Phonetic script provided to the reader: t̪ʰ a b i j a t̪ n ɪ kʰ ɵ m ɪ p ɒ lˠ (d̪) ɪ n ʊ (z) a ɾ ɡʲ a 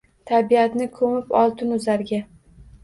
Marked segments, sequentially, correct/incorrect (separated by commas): incorrect, correct